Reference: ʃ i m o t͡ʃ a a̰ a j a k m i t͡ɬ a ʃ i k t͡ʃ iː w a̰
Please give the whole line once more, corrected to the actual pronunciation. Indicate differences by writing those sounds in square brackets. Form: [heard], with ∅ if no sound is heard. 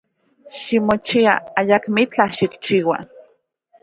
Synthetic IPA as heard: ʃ i m o t͡ʃ [i] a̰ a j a k m i t͡ɬ a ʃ i k t͡ʃ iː w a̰

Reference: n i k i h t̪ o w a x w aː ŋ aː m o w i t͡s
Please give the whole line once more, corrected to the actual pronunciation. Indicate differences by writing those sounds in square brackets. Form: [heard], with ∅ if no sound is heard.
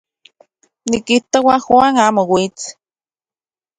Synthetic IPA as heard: n i k i h t̪ o w a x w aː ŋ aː m o w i t͡s

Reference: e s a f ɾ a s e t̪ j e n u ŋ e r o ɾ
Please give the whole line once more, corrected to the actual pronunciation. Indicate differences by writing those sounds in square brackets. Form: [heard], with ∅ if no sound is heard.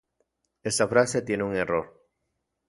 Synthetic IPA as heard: e s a f ɾ a s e t̪ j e n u ŋ e r o ɾ

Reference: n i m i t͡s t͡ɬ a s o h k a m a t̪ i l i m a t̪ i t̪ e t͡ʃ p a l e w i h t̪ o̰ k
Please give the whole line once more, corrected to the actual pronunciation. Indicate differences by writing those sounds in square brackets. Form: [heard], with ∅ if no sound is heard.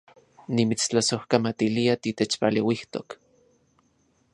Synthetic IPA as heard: n i m i t͡s t͡ɬ a s o h k a m a t̪ i l i [∅] a t̪ i t̪ e t͡ʃ p a l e w i h t̪ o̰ k

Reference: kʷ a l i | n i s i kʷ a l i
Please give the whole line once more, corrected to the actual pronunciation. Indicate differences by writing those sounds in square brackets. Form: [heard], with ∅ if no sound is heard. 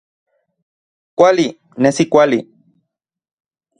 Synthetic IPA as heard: kʷ a l i | n [e] s i kʷ a l i

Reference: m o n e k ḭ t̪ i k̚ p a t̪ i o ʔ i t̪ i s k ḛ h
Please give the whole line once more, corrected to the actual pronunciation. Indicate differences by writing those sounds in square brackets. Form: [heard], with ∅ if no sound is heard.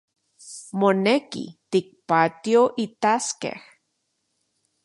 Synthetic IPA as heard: m o n e k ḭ t̪ i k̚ p a t̪ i o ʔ i t̪ [a] s k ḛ h

